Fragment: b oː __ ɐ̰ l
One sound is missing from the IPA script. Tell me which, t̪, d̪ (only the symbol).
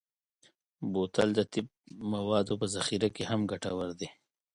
t̪